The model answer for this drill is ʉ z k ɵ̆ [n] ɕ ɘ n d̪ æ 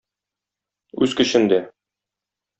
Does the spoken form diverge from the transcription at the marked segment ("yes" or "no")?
yes